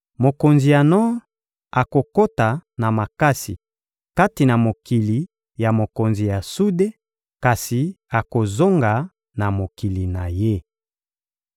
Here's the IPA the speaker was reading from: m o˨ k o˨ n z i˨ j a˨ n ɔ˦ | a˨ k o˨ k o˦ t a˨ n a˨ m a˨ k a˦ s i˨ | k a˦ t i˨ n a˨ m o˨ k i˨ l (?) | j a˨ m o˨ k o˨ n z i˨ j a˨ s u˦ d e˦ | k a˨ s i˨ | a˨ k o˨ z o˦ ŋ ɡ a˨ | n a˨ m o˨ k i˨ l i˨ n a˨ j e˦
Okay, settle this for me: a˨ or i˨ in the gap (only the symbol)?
i˨